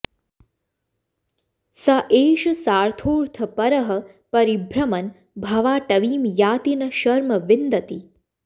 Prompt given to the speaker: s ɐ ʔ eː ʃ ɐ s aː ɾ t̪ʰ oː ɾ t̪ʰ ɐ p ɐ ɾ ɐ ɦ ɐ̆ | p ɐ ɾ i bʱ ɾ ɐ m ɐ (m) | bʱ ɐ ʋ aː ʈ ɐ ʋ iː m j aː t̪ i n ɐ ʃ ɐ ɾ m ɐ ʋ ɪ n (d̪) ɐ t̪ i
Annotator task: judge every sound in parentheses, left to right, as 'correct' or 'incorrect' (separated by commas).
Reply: incorrect, correct